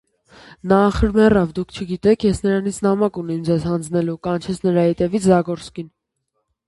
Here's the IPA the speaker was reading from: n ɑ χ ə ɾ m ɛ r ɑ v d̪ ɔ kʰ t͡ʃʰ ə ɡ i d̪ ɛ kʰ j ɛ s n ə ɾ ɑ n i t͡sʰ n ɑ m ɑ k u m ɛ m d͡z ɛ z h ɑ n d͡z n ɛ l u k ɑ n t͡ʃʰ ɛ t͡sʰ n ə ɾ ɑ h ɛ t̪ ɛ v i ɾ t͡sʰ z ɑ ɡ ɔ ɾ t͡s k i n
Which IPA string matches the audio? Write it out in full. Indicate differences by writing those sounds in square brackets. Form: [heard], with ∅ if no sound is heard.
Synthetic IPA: n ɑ χ ə ɾ m ɛ r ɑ v d̪ [u] kʰ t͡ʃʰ ə ɡ i [t̪] ɛ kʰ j ɛ s n ə ɾ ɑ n i t͡sʰ n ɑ m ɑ k u [n] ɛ m d͡z ɛ z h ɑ n d͡z n ɛ l u k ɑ n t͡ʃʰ ɛ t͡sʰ n ə ɾ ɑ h ɛ t̪ ɛ v i [∅] t͡sʰ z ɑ ɡ ɔ ɾ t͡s k i n